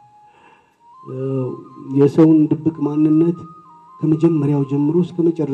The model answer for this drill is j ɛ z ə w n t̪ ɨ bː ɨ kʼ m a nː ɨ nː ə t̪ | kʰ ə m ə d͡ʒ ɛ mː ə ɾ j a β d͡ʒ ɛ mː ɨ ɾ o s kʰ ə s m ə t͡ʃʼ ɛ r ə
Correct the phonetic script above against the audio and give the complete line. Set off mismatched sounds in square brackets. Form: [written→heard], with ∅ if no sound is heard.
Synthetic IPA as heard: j ɛ [z→s] ə w n [t̪→d̪] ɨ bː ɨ kʼ m a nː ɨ nː ə t̪ | kʰ ə m ə d͡ʒ ɛ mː ə ɾ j a [β→w] d͡ʒ ɛ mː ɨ ɾ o s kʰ ə [s→∅] m ə t͡ʃʼ ɛ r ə